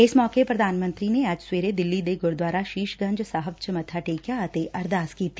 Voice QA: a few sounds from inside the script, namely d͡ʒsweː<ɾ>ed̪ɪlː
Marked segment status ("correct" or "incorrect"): correct